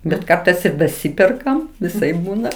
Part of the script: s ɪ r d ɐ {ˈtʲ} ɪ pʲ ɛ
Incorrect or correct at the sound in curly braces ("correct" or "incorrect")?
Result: incorrect